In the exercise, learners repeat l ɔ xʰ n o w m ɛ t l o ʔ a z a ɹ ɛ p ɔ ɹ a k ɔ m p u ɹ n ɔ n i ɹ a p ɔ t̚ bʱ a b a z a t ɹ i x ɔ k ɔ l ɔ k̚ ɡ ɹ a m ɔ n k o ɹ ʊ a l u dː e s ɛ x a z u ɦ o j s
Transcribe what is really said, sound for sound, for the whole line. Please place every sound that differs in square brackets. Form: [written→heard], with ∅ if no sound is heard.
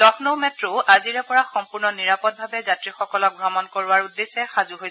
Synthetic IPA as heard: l ɔ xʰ n o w m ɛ t [l→ɹ] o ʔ a z [a→i] ɹ ɛ p ɔ ɹ a [k→x] ɔ m p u ɹ n ɔ n i ɹ a p ɔ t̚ bʱ a b [a→ɛ] z a t ɹ i x ɔ k ɔ l ɔ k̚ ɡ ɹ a m ɔ n k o ɹ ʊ a [l→ɹ] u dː e s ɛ x a z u ɦ o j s

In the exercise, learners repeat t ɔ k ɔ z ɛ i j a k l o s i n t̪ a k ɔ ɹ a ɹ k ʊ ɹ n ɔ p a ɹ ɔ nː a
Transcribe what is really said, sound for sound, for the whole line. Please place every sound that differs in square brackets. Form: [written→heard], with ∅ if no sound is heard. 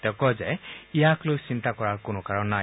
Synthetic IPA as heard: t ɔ k ɔ z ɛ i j a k l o s i n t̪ a k ɔ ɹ a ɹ k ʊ [ɹ→∅] n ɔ [p→k] a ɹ ɔ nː a

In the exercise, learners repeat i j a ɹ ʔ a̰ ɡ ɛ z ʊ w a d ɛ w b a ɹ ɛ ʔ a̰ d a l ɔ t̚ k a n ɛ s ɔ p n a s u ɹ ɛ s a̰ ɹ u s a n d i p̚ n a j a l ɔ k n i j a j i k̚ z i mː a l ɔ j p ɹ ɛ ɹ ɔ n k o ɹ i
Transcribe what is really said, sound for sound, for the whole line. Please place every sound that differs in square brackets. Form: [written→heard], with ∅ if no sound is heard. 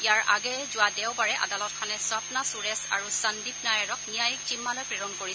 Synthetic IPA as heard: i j a ɹ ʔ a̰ ɡ ɛ z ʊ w a d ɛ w b a ɹ ɛ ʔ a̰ d a l ɔ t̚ [k→kʰ] a n ɛ s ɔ p n a s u ɹ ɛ s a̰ ɹ u s a n d i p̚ n a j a [l→ɹ] ɔ k n i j a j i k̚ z i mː a l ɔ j p ɹ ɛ ɹ ɔ n k o ɹ i

